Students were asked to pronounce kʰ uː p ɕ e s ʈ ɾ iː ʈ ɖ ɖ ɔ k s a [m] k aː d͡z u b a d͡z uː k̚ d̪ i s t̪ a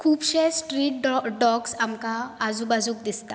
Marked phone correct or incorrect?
correct